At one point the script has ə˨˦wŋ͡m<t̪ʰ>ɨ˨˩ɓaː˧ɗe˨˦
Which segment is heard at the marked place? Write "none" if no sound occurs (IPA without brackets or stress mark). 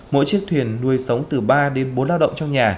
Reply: t̪